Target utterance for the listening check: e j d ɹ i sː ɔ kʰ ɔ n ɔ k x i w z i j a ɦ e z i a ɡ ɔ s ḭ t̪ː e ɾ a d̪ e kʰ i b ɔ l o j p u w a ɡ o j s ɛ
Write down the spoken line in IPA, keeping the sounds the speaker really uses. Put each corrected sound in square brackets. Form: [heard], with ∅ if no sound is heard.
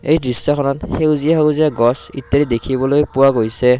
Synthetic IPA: e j d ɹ i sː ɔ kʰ ɔ n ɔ [t] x [e] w z i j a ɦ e z i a ɡ ɔ s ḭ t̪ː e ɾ [i] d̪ e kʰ i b ɔ l o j p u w a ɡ o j s ɛ